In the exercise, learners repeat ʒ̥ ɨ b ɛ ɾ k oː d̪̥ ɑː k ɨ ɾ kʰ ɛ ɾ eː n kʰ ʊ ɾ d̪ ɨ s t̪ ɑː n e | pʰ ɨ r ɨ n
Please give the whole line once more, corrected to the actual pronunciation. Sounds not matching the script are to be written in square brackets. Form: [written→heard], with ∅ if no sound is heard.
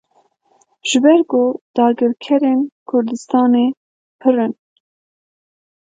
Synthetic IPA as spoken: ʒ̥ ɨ b ɛ ɾ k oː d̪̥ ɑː [k→ɡ] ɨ ɾ kʰ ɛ ɾ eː n kʰ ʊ ɾ d̪ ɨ s t̪ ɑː n e | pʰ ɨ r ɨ n